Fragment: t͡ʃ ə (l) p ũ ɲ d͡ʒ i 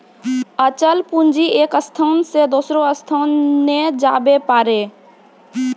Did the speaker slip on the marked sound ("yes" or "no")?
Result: no